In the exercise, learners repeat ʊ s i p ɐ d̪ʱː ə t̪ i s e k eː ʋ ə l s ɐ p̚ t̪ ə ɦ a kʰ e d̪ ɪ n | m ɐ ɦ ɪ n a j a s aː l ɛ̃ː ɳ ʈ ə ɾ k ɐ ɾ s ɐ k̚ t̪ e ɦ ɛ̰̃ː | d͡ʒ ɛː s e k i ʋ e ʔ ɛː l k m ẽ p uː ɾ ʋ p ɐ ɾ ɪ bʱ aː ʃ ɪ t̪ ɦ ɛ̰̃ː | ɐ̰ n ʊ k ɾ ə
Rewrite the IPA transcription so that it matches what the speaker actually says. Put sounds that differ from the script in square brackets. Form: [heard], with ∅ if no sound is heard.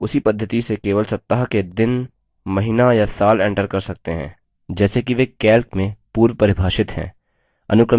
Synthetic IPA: ʊ s i p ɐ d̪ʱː ə t̪ i s e k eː ʋ ə l s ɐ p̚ t̪ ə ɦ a [k] e d̪ ɪ n | m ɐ ɦ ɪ n a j a s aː l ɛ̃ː ɳ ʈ ə ɾ k ɐ ɾ s ɐ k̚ t̪ e ɦ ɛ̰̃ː | d͡ʒ ɛː s e k i ʋ e [k] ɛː l k m ẽ p uː ɾ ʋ p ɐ ɾ ɪ bʱ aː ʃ ɪ t̪ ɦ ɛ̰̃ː | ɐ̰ n ʊ k ɾ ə